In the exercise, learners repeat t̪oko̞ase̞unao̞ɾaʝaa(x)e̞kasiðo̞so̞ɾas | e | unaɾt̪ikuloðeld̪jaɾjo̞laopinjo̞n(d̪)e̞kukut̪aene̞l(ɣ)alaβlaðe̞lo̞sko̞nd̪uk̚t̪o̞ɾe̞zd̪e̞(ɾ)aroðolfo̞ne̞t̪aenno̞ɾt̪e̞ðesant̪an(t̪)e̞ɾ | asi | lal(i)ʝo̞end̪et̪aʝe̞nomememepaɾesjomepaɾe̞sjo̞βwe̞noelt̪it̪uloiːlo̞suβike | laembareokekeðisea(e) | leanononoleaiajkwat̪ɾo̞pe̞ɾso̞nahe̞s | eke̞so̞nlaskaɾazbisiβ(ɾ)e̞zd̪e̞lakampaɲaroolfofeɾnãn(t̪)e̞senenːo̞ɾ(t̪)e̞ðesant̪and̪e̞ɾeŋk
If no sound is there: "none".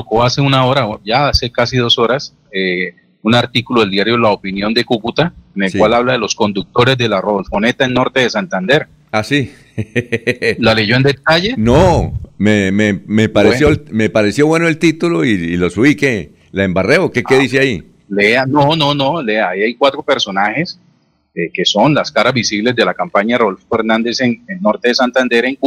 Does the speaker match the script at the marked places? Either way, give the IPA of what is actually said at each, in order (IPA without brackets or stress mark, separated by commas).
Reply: s, d̪, w, l, d̪, e, i, l, d̪, t̪